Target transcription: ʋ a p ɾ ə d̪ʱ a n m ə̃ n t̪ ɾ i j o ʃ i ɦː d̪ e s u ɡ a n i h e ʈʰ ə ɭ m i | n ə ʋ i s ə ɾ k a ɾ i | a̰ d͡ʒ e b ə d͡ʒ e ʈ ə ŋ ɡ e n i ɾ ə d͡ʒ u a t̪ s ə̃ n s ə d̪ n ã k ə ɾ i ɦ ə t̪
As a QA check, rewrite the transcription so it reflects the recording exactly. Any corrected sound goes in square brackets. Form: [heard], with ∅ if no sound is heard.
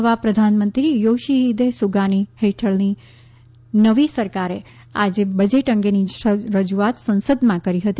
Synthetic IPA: ʋ a p ɾ ə d̪ʱ a n m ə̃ n t̪ ɾ i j o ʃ i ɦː d̪ e s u ɡ a n i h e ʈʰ ə ɭ [n] i | n ə ʋ i s ə ɾ k a ɾ [e] | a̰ d͡ʒ e b ə d͡ʒ e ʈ ə ŋ ɡ e n i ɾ ə d͡ʒ u a t̪ s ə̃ n s ə d̪ [m] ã k ə ɾ i ɦ ə t̪